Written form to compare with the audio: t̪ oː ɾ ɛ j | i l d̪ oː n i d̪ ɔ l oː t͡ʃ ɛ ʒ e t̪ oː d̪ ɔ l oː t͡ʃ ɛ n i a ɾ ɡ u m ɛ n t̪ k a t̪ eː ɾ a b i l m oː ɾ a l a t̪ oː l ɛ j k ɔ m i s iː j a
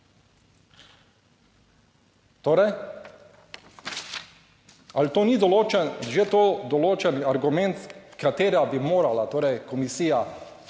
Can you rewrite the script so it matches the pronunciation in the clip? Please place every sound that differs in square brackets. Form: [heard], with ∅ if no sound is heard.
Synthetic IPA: t̪ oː ɾ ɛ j | [a] l [t̪] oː n i d̪ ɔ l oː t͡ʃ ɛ ʒ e t̪ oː d̪ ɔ l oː t͡ʃ ɛ n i a ɾ ɡ u m ɛ n t̪ k a t̪ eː ɾ a b i [∅] m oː ɾ a l a t̪ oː [ɾ] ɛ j k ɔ m i s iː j a